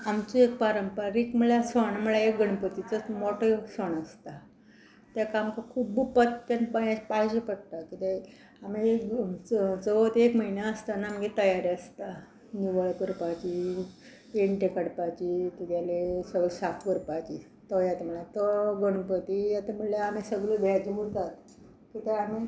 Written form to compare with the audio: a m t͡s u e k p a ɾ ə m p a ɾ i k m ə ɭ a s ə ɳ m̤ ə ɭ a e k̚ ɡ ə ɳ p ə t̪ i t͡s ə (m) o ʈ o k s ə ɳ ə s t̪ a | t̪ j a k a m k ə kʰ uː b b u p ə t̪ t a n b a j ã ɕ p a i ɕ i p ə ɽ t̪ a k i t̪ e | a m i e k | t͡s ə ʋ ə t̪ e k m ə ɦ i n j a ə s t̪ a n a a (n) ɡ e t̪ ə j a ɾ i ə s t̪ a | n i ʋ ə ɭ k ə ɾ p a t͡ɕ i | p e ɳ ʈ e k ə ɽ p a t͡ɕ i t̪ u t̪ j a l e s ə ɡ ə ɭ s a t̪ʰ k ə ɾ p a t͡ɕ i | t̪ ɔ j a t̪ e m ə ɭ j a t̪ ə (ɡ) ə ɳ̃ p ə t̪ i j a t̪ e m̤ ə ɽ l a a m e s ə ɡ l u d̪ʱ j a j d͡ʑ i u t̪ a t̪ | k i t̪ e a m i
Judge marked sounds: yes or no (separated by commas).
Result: yes, no, yes